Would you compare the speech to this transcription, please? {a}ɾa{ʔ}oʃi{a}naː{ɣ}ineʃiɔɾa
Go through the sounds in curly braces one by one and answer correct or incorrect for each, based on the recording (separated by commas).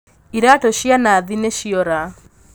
incorrect, incorrect, correct, incorrect